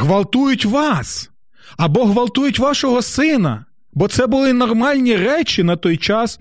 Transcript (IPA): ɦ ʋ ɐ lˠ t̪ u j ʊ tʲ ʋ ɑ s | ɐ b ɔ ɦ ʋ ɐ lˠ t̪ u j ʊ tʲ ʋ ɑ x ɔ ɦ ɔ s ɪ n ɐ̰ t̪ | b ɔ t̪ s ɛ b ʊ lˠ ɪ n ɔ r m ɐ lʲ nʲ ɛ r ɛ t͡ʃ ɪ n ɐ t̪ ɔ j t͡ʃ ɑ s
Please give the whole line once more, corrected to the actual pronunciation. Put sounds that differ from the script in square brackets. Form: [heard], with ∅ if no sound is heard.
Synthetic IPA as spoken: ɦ ʋ ɐ lˠ t̪ u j ʊ tʲ ʋ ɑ s | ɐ b ɔ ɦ ʋ ɐ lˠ t̪ u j ʊ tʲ ʋ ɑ [ʃ] ɔ ɦ ɔ s ɪ n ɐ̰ [∅] | b ɔ t̪ s ɛ b ʊ lˠ ɪ n ɔ r m [ɑ] lʲ nʲ [i] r ɛ t͡ʃ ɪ n ɐ t̪ ɔ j t͡ʃ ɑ s